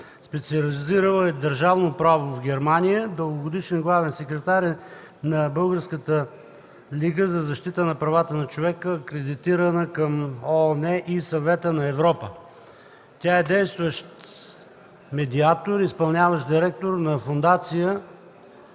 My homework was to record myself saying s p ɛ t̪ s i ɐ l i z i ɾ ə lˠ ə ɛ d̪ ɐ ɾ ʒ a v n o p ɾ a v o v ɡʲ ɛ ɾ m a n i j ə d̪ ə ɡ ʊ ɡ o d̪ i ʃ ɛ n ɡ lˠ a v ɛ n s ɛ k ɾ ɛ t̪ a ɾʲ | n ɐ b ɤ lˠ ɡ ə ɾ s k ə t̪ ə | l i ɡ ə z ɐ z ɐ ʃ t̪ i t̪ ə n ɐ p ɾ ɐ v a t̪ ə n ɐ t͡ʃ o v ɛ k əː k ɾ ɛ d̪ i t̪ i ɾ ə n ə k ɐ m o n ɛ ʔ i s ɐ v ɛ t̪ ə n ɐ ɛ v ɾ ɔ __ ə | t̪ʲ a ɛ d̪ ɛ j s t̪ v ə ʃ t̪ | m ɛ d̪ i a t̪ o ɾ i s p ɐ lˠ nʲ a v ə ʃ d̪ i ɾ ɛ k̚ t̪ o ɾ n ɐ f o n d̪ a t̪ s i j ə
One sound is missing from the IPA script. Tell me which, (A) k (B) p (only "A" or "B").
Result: B